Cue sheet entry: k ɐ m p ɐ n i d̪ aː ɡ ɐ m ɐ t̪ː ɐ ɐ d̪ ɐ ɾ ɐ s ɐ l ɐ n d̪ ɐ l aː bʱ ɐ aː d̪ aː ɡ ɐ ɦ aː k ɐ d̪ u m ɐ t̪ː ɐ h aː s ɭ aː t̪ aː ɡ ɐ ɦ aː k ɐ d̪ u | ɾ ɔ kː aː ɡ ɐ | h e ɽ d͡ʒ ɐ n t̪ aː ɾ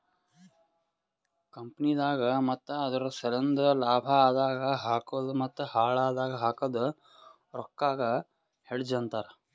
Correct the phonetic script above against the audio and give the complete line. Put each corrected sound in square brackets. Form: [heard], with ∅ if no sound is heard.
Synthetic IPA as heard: k ɐ m p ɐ n i d̪ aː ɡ ɐ m ɐ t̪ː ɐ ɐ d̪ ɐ ɾ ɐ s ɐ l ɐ n d̪ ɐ l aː bʱ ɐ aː d̪ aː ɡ ɐ ɦ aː k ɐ d̪ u m ɐ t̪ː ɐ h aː [∅] ɭ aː [d̪] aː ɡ ɐ ɦ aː k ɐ d̪ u | ɾ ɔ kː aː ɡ ɐ | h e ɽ d͡ʒ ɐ n t̪ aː ɾ

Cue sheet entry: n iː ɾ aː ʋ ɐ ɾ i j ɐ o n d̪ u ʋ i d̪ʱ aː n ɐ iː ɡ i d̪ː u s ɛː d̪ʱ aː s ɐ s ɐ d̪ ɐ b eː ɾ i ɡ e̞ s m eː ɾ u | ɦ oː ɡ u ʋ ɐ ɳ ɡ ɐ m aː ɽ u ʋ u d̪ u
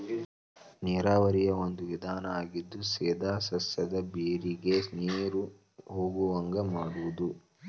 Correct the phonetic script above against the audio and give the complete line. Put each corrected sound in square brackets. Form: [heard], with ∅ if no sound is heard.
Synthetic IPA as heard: n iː ɾ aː ʋ ɐ ɾ i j ɐ o n d̪ u ʋ i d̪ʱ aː n ɐ [aː] ɡ i d̪ː u s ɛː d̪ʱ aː s ɐ s ɐ d̪ ɐ b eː ɾ i ɡ e̞ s [n] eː ɾ u | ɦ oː ɡ u ʋ ɐ [ŋ] ɡ ɐ m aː ɽ u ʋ u d̪ u

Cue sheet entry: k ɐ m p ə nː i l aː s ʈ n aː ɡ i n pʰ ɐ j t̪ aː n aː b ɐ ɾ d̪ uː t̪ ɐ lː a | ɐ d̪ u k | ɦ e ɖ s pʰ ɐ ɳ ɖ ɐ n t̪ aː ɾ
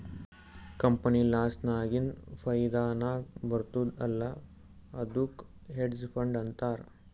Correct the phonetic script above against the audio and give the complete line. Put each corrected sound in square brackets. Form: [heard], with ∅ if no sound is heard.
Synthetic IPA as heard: k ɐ m p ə [n] i l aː s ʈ n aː ɡ i n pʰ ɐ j [d̪] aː n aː b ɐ ɾ [t̪] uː [d̪] ɐ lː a | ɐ d̪ u k | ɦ e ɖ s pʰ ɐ ɳ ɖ ɐ n t̪ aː ɾ

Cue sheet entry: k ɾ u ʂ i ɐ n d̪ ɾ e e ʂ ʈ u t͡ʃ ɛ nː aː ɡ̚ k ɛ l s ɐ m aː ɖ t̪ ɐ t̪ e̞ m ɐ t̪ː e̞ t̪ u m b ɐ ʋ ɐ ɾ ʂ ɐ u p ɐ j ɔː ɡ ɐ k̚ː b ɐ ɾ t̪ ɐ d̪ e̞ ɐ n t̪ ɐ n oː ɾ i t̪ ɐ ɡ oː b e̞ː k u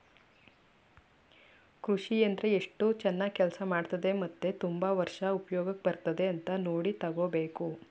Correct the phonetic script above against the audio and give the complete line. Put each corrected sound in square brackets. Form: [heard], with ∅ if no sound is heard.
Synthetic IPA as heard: k ɾ u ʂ i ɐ n d̪ ɾ e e ʂ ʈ u t͡ʃ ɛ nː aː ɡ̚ k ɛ l s ɐ m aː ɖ t̪ ɐ [d̪] e̞ m ɐ t̪ː e̞ t̪ u m b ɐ ʋ ɐ ɾ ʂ ɐ u p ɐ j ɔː ɡ ɐ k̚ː b ɐ ɾ t̪ ɐ d̪ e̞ ɐ n t̪ ɐ n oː [ɽ] i t̪ ɐ ɡ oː b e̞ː k u

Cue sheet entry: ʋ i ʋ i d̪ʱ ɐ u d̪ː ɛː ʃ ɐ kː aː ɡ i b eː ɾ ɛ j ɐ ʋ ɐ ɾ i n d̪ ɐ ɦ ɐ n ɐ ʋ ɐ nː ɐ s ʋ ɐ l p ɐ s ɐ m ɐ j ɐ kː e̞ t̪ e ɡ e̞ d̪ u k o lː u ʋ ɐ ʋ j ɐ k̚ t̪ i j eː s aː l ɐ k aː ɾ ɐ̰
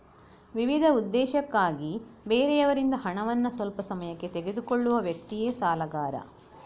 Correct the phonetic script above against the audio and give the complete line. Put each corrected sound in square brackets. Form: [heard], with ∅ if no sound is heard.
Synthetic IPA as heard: ʋ i ʋ i d̪ʱ ɐ u d̪ː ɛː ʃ ɐ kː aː ɡ i b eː ɾ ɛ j ɐ ʋ ɐ ɾ i n d̪ ɐ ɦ ɐ [ɳ] ɐ ʋ ɐ nː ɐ s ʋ ɐ l p ɐ s ɐ m ɐ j ɐ kː e̞ t̪ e ɡ e̞ d̪ u k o [ɭː] u ʋ ɐ ʋ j ɐ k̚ t̪ i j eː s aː l ɐ [ɡ] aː ɾ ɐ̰

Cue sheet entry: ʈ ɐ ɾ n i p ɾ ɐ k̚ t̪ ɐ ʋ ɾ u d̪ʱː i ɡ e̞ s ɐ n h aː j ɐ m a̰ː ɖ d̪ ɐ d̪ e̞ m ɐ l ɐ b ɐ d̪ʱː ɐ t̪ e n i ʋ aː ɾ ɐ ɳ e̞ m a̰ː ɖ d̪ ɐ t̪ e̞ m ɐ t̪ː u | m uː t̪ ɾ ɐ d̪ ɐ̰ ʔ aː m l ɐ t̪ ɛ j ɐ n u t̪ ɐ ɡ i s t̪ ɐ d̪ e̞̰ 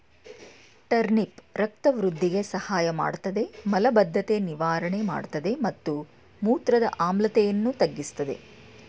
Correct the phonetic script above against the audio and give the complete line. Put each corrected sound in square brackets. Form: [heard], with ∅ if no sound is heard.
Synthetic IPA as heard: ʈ ɐ ɾ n i p ɾ ɐ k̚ t̪ ɐ ʋ ɾ u d̪ʱː i ɡ e̞ s ɐ [∅] h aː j ɐ m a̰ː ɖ [t̪] ɐ d̪ e̞ m ɐ l ɐ b ɐ d̪ʱː ɐ t̪ e n i ʋ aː ɾ ɐ ɳ e̞ m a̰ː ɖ [t̪] ɐ [d̪] e̞ m ɐ t̪ː u | m uː t̪ ɾ ɐ d̪ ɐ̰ ʔ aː m l ɐ t̪ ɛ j ɐ [nː] u t̪ ɐ [ɡː] i s t̪ ɐ d̪ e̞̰

